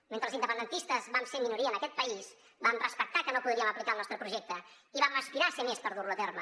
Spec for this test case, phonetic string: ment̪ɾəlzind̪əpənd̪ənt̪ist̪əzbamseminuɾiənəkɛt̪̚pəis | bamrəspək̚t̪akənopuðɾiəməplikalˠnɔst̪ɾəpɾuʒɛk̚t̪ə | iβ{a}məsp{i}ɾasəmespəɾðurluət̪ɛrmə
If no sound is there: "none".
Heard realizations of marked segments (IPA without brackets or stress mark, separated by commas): a, i